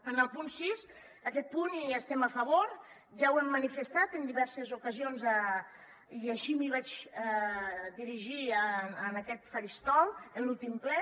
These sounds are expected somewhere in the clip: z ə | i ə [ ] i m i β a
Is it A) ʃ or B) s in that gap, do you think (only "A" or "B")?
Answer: A